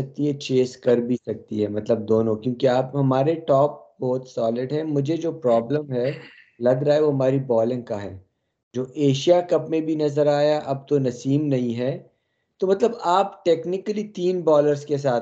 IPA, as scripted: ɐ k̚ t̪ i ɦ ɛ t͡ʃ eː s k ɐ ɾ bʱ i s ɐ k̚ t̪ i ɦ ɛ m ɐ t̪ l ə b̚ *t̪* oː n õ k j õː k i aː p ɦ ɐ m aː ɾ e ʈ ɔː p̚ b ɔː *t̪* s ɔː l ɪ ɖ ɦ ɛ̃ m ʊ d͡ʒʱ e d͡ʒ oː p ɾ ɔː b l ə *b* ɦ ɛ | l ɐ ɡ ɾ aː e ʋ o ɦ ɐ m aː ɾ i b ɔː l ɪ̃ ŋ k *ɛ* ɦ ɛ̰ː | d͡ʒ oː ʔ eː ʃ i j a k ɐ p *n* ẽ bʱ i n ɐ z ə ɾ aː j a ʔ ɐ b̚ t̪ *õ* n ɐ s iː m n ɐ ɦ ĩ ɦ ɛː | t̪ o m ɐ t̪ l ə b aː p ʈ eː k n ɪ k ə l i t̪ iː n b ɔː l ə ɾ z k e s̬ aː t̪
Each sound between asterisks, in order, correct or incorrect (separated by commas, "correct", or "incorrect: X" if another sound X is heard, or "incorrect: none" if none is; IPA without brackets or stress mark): incorrect: d̪, correct, incorrect: m, incorrect: a, incorrect: m, incorrect: o